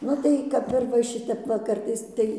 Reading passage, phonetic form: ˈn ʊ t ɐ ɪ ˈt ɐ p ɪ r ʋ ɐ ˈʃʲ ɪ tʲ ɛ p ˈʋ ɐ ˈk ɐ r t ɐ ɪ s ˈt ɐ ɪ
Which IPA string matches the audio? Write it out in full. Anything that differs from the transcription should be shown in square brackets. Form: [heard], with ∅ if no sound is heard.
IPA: ˈn ʊ t ɐ ɪ [ˈk] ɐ p ɪ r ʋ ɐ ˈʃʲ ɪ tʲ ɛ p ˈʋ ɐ ˈk ɐ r t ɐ ɪ s ˈt ɐ ɪ

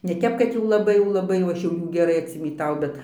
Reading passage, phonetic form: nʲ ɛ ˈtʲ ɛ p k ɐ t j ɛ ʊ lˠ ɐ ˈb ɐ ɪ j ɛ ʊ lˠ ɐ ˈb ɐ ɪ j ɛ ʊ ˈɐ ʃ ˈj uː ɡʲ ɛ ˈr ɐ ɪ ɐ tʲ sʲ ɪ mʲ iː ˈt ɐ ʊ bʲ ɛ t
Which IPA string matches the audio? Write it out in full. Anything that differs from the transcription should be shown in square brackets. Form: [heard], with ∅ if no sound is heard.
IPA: nʲ ɛ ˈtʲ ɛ p k ɐ t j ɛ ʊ lˠ ɐ ˈb ɐ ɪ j ɛ ʊ lˠ ɐ ˈb ɐ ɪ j ɛ ʊ ˈɐ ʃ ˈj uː ɡʲ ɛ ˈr ɐ ɪ ɐ tʲ sʲ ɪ mʲ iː ˈt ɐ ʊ bʲ ɛ t

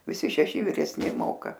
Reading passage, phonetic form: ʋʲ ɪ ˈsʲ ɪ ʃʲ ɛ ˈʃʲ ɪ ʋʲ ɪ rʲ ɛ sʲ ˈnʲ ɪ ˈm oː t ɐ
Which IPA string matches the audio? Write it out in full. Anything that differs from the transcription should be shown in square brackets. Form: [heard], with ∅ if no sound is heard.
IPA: ʋʲ ɪ ˈsʲ ɪ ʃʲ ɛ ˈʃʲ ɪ ʋʲ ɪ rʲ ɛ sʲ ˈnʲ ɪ ˈm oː [k] ɐ

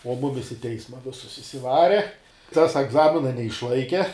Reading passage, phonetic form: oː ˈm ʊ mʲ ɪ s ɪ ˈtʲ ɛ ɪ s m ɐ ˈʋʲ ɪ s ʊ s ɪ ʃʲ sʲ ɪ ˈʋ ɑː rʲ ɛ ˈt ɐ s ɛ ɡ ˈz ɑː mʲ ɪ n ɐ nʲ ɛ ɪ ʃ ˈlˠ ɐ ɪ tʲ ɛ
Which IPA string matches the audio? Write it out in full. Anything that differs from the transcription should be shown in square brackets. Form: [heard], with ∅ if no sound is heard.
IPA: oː ˈm ʊ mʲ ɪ s ɪ ˈtʲ ɛ ɪ s m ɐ ˈʋʲ ɪ s ʊ s ɪ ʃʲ sʲ ɪ ˈʋ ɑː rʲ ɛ ˈt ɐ s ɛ ɡ ˈz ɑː mʲ ɪ n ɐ nʲ ɛ ɪ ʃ ˈlˠ ɐ ɪ [kʲ] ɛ

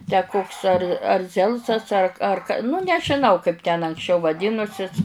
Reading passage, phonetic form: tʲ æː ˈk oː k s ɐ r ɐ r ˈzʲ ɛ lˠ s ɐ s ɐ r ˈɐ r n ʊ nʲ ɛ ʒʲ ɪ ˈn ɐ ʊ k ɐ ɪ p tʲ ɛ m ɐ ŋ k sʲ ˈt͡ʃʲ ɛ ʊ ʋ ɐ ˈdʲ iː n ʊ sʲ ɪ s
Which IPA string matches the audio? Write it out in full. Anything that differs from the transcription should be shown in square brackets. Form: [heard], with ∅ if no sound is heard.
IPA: tʲ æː ˈk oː k s ɐ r ɐ r ˈzʲ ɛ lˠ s ɐ s ɐ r ˈɐ r n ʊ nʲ ɛ ʒʲ ɪ ˈn ɐ ʊ k ɐ ɪ p tʲ ɛ [n] ɐ ŋ k sʲ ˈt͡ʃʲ ɛ ʊ ʋ ɐ ˈdʲ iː n ʊ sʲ ɪ s

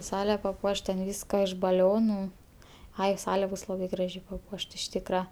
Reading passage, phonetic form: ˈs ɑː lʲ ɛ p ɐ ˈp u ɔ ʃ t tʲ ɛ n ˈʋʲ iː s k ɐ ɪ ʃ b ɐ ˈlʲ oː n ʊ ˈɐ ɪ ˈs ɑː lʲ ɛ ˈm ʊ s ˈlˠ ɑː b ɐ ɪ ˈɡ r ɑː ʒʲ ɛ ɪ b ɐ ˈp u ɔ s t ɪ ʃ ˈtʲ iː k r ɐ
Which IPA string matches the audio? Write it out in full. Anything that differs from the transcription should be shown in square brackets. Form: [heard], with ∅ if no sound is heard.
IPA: ˈs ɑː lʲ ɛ p ɐ ˈp u ɔ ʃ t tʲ ɛ n ˈʋʲ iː s k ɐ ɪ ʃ b ɐ ˈlʲ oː n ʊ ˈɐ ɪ ˈs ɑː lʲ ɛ [ˈb] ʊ s ˈlˠ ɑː b ɐ ɪ ˈɡ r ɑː ʒʲ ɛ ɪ [p] ɐ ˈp u ɔ [ʃ] t ɪ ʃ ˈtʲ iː k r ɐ

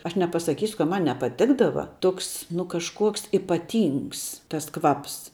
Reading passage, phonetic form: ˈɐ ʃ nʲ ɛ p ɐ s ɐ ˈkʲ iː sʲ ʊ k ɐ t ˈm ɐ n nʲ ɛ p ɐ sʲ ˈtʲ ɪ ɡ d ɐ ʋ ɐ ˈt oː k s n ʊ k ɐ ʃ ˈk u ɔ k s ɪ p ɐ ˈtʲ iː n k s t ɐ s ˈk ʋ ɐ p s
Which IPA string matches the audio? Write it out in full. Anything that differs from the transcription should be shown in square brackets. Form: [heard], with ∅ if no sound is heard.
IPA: ˈɐ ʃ nʲ ɛ p ɐ s ɐ ˈkʲ iː sʲ ʊ k ɐ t ˈm ɐ n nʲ ɛ p ɐ [∅] ˈtʲ ɪ ɡ d ɐ ʋ ɐ ˈt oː k s n ʊ k ɐ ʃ ˈk u ɔ k s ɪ p ɐ ˈtʲ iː [ŋ] k s t ɐ s ˈk ʋ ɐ p s

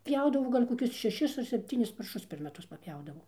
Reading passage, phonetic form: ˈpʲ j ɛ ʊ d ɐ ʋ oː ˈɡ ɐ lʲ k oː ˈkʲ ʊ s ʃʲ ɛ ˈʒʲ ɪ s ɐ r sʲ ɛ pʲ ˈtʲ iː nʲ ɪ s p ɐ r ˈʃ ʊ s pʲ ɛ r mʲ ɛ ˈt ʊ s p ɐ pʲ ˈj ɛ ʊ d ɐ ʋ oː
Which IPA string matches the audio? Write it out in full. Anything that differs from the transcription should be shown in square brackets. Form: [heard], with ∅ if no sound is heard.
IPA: ˈpʲ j ɛ ʊ d ɐ ʋ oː ˈɡ ɐ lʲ k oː ˈkʲ ʊ s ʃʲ ɛ [ˈʃʲ] ɪ s ɐ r sʲ ɛ pʲ ˈtʲ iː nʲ ɪ s p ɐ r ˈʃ ʊ s pʲ ɛ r mʲ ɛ ˈt ʊ s p ɐ pʲ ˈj ɛ ʊ d ɐ ʋ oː

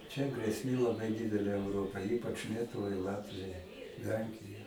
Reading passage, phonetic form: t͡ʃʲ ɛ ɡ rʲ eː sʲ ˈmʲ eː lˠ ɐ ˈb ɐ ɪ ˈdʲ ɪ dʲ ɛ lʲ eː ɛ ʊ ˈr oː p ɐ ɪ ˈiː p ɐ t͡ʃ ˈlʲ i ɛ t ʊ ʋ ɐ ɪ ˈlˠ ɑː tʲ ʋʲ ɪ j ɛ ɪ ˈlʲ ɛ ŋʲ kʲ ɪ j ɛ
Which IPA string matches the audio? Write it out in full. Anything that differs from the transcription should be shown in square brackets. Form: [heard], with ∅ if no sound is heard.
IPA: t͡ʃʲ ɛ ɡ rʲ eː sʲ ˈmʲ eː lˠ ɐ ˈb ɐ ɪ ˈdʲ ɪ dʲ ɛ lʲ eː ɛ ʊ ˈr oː p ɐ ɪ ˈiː p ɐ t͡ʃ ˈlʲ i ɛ t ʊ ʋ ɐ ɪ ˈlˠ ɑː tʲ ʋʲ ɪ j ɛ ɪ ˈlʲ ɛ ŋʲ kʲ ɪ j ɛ

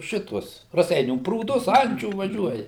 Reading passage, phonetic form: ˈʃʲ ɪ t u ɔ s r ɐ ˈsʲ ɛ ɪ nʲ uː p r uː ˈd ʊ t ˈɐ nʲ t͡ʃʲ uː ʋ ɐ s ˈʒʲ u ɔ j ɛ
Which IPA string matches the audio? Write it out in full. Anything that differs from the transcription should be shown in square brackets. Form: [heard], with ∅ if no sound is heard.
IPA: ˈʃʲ ɪ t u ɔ s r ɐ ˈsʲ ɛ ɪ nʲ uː p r uː ˈd ʊ [s] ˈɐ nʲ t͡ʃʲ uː ʋ ɐ [∅] ˈʒʲ u ɔ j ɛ

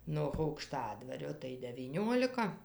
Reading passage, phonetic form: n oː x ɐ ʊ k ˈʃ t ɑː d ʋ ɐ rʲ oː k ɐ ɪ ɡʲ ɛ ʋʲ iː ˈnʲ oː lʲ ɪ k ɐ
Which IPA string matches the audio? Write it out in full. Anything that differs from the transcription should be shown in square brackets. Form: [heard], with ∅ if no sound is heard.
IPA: n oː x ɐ ʊ k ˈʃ t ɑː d ʋ ɐ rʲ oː [t] ɐ ɪ [dʲ] ɛ ʋʲ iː ˈnʲ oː lʲ ɪ k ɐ

